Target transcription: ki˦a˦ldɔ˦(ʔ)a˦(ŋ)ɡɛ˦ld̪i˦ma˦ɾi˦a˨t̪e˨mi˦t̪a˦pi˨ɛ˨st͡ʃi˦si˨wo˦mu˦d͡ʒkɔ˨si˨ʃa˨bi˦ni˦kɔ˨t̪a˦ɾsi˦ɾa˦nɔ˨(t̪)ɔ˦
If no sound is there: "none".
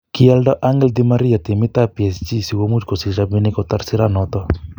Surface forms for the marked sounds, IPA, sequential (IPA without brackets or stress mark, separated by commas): ʔ, ŋ, t̪